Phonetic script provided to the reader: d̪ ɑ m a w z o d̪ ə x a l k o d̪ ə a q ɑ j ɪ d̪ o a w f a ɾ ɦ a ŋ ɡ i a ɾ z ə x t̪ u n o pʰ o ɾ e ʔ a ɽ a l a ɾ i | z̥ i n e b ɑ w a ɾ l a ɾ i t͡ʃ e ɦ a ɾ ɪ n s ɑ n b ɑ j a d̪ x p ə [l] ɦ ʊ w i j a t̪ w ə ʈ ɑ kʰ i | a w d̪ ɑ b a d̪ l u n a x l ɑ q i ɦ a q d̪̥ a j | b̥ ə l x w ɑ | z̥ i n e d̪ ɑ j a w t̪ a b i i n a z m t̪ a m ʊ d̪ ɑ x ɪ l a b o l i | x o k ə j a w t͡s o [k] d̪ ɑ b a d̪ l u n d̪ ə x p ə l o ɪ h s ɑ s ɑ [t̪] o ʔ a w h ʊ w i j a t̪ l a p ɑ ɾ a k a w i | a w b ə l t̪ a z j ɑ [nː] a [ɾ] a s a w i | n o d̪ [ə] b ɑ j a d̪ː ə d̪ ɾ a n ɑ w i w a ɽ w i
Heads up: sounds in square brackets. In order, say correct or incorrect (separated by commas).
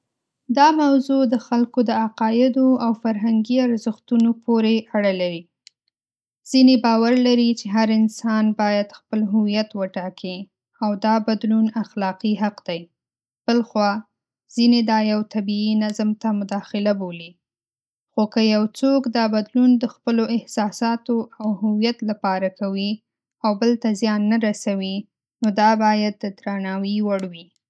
correct, correct, correct, correct, correct, incorrect